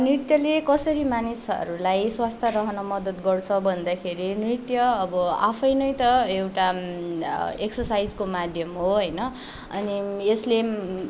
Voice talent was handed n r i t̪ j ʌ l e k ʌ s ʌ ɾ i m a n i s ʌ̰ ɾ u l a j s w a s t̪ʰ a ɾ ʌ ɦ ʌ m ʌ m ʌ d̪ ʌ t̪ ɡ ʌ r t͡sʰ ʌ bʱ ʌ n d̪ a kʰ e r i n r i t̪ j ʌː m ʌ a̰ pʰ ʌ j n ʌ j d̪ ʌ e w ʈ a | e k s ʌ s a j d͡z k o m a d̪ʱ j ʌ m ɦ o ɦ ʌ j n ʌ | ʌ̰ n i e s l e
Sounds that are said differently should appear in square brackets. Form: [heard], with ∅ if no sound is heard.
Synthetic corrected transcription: n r i t̪ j ʌ l e k ʌ s ʌ ɾ i m a n i s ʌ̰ ɾ u l a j s w a s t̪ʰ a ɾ ʌ ɦ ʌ [n] ʌ m ʌ d̪ ʌ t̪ ɡ ʌ r t͡sʰ ʌ bʱ ʌ n d̪ a kʰ e [ɾ] i n r i t̪ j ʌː [b] ʌ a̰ pʰ ʌ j n ʌ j [t̪] ʌ e w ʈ a | e k s ʌ s a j d͡z k o m a d̪ʱ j ʌ m ɦ o ɦ ʌ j n ʌ | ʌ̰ n i e s l e